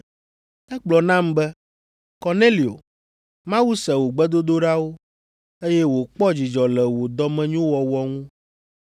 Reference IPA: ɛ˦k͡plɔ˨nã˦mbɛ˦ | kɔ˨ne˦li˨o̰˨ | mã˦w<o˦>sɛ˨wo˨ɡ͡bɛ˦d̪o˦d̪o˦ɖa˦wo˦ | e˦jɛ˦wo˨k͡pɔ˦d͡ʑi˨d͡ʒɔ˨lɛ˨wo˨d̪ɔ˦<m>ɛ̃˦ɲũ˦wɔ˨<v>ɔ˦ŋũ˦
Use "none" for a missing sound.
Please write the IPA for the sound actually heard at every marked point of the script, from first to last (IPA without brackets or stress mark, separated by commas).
u˦, m, w